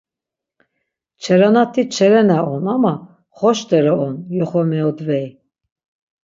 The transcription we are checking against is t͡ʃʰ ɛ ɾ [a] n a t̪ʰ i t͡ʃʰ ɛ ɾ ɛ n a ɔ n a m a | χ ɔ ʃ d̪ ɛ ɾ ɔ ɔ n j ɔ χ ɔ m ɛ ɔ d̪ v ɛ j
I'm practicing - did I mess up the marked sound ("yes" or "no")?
no